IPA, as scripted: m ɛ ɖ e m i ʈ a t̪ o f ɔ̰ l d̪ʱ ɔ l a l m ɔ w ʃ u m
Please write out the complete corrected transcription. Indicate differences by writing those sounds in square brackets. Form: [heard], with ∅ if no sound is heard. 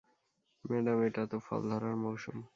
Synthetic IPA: m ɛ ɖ [a] m [e] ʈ a t̪ o f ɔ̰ l d̪ʱ ɔ [ɾ] a [ɾ] m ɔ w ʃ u m